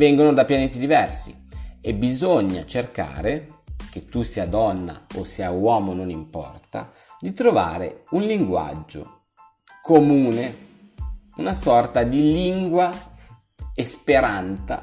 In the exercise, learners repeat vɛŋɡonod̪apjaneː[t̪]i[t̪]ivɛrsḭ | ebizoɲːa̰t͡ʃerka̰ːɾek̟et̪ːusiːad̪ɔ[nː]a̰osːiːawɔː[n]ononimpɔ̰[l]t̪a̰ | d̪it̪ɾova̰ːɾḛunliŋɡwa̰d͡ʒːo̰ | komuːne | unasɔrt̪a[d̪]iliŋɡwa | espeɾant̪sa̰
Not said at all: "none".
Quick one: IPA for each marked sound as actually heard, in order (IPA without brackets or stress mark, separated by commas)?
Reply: t̪, d̪, nː, m, r, d̪